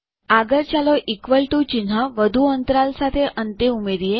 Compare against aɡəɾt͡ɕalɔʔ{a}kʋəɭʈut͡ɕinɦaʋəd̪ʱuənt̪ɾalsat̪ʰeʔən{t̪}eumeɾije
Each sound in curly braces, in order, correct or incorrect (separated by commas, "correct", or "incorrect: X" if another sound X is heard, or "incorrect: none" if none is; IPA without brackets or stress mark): incorrect: i, correct